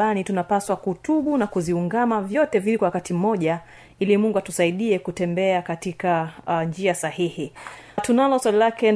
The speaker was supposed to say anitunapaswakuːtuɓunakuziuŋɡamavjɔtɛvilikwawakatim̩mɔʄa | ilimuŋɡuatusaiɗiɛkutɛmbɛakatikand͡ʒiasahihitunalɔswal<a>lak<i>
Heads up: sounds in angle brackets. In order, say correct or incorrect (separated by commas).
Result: incorrect, incorrect